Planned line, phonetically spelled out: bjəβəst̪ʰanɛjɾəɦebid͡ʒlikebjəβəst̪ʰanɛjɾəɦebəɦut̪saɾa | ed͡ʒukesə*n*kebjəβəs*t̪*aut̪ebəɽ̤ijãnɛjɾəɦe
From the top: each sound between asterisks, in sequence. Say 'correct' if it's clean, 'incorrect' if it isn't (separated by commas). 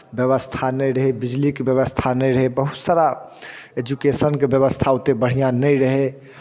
correct, incorrect